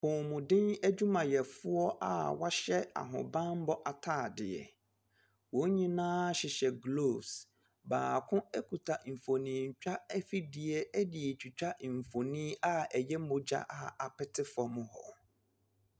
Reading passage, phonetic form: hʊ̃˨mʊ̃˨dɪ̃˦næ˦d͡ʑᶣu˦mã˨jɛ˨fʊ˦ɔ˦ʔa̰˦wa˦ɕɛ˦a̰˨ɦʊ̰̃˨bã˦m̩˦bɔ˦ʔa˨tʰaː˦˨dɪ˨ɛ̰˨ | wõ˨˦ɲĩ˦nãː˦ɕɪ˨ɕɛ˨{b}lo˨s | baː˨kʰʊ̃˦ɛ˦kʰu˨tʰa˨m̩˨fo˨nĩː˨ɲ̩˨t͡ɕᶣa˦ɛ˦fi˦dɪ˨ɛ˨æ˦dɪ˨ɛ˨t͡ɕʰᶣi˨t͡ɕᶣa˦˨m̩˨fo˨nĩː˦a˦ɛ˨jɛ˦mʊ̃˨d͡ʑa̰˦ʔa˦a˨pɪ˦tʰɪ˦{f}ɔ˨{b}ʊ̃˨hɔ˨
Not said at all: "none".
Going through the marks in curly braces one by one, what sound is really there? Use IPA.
ɡ, f, m

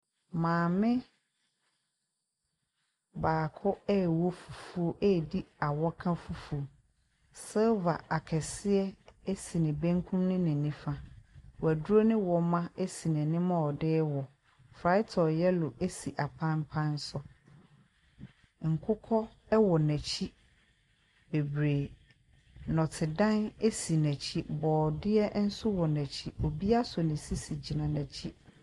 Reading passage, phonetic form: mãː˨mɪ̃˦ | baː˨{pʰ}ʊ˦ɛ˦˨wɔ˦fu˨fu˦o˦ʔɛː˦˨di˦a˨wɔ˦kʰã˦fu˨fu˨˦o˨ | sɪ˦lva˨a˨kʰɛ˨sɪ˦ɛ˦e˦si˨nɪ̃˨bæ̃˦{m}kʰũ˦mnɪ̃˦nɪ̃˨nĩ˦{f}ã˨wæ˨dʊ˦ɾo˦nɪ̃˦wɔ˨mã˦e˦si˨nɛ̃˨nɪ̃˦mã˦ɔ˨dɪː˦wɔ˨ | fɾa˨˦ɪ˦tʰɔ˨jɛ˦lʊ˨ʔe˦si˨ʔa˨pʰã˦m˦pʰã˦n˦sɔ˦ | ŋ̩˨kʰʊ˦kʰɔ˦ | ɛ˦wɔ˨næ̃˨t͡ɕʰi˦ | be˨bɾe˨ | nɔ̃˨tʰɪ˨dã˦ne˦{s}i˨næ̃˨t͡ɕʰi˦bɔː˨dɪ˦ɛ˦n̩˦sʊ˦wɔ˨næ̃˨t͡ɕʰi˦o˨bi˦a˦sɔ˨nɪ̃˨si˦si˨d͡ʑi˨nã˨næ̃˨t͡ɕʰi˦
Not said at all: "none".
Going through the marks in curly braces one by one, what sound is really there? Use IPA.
kʰ, ŋ, f, s

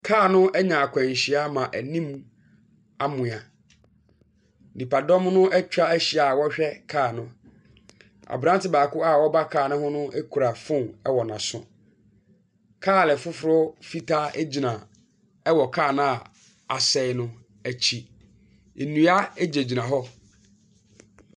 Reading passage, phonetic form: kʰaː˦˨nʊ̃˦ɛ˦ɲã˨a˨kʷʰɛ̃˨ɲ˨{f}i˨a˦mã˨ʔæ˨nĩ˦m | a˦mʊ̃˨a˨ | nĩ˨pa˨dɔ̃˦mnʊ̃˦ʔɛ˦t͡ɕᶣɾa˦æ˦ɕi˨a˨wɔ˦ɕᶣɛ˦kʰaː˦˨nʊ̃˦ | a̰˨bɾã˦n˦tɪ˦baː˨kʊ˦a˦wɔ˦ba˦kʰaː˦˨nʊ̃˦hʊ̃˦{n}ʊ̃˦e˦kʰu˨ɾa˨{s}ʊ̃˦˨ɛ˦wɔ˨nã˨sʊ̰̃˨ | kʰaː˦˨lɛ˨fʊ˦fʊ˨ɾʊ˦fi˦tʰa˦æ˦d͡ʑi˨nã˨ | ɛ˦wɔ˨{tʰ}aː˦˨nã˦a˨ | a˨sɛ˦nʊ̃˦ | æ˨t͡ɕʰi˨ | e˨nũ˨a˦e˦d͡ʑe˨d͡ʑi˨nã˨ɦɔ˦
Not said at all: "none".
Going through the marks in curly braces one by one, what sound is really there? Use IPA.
ɕ, n, f, kʰ

